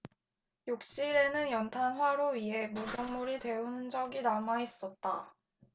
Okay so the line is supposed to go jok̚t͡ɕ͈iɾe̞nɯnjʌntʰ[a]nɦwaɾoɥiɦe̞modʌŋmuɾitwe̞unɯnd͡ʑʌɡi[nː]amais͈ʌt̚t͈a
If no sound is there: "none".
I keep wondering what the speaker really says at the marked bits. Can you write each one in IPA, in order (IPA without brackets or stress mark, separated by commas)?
a, n